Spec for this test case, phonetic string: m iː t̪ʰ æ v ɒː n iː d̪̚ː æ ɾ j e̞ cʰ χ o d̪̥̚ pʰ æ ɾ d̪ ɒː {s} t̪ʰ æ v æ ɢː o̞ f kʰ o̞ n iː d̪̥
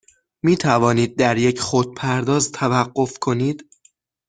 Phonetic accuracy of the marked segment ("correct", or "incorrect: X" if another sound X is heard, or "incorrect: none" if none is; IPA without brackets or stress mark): incorrect: z